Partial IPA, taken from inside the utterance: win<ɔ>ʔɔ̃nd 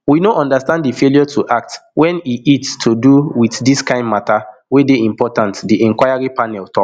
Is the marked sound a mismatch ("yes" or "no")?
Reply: yes